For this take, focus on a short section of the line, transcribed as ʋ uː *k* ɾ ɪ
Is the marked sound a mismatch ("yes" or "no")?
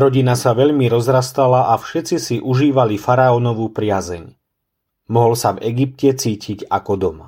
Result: yes